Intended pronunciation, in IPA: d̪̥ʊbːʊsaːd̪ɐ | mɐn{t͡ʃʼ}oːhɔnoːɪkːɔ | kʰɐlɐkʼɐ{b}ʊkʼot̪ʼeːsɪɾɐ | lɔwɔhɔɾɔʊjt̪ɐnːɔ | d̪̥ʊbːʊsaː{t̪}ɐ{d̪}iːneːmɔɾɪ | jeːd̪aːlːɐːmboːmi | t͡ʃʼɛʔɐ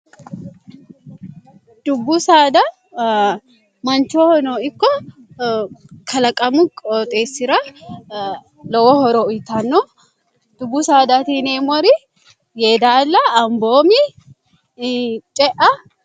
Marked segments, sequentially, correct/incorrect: incorrect: t͡ʃ, incorrect: m, incorrect: d̪, incorrect: t̪

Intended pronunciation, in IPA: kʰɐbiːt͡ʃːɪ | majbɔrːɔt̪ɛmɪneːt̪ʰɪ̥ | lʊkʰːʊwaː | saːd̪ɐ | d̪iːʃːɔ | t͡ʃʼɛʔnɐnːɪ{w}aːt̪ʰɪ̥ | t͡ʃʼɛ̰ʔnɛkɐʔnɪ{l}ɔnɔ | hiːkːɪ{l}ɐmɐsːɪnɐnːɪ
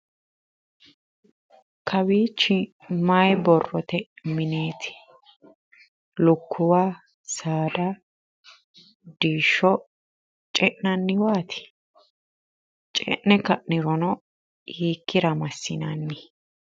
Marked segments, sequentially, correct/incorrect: correct, incorrect: ɾ, incorrect: ɾ

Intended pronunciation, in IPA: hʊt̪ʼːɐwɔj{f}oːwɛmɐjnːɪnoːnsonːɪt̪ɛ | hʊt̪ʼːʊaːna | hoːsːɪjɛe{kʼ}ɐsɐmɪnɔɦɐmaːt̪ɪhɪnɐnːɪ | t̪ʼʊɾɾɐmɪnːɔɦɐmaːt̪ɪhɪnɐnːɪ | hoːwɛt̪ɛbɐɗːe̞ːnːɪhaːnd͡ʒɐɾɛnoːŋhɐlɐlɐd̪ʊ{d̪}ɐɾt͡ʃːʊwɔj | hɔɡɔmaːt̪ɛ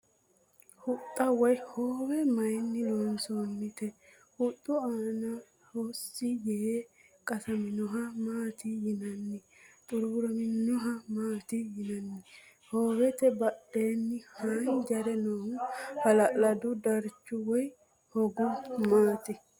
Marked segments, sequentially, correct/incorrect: incorrect: h, correct, correct

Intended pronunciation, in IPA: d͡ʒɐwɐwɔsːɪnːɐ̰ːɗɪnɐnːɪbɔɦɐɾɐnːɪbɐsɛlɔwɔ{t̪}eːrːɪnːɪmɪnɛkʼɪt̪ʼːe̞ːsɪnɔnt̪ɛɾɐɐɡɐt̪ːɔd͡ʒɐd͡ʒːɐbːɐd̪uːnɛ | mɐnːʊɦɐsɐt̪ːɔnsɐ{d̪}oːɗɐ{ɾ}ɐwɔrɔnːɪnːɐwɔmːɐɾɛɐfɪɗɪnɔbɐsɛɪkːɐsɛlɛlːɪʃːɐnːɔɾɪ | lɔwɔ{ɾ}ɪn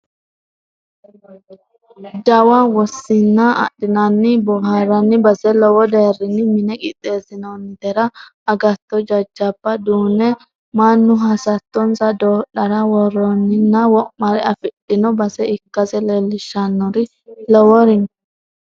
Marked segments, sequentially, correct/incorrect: incorrect: d̪, correct, correct, correct

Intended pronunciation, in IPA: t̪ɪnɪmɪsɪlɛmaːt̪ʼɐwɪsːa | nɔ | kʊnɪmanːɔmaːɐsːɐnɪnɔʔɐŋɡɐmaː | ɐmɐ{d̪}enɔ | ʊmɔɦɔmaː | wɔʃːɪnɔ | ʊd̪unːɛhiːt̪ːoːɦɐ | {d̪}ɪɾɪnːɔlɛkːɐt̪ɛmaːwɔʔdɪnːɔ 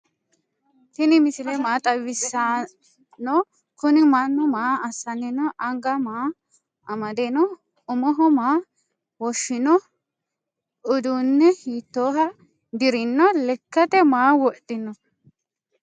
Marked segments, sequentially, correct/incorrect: correct, correct

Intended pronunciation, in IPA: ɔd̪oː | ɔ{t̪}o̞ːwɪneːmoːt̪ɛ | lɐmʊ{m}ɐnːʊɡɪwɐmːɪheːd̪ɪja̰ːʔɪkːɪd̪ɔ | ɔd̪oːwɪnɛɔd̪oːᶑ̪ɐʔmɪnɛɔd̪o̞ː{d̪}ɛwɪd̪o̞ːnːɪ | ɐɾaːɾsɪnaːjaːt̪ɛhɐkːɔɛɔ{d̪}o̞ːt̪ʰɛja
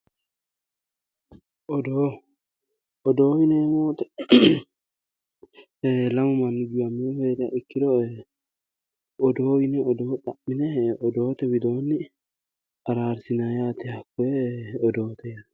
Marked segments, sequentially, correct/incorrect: incorrect: d̪, correct, incorrect: t̪, correct

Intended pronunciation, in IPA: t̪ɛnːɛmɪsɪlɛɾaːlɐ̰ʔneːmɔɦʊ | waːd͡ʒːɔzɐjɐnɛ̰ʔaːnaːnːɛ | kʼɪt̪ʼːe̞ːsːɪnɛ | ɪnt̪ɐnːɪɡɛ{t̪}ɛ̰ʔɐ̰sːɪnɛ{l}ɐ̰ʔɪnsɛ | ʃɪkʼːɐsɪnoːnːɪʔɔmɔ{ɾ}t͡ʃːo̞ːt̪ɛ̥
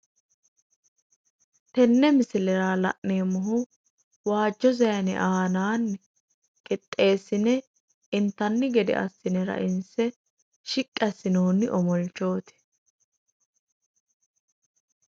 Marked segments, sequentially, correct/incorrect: incorrect: d̪, incorrect: ɾ, incorrect: l

